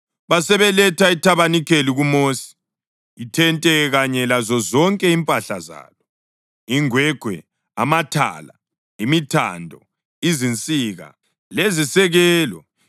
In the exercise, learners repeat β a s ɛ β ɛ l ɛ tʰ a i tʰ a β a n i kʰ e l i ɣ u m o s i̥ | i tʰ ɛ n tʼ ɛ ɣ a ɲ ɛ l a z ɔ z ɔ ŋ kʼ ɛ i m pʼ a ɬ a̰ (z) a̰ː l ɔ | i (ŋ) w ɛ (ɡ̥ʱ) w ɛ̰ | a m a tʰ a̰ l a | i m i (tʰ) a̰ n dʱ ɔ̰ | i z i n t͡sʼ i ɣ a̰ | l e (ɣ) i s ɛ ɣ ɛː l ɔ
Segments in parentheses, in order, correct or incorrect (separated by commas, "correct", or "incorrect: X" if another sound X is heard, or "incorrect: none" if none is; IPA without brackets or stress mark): correct, correct, correct, correct, incorrect: z